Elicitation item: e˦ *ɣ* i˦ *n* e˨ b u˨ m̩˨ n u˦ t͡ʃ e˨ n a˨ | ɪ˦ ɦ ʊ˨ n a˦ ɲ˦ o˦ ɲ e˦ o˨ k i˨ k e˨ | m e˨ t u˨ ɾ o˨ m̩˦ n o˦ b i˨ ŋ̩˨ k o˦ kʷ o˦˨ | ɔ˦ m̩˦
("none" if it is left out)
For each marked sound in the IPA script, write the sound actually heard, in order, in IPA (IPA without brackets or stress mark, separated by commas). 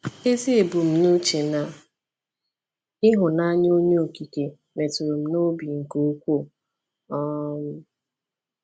z, none